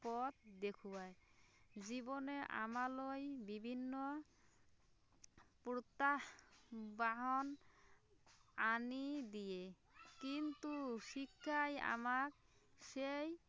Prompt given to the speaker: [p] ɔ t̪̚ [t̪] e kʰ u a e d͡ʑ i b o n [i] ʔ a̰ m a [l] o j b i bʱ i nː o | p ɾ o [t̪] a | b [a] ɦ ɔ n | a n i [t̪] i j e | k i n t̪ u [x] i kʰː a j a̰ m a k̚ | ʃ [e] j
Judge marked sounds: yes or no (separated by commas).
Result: yes, no, no, yes, yes, yes, no, no, yes